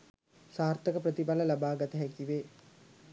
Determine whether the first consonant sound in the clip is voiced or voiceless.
voiceless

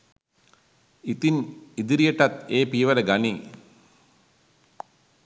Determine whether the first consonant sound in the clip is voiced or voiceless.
voiceless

